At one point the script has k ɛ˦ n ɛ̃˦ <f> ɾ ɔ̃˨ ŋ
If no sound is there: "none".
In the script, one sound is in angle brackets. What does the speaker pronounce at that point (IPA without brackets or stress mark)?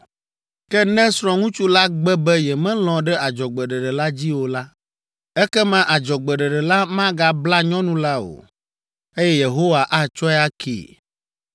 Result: s